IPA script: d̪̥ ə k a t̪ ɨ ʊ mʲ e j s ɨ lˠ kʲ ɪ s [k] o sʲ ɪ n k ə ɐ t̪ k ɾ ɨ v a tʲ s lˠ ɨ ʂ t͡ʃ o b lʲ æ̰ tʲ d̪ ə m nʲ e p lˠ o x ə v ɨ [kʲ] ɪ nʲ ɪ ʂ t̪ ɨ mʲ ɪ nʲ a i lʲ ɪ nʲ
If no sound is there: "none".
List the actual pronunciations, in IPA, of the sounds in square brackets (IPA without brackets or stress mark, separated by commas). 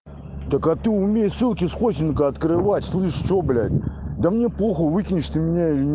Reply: x, kʲ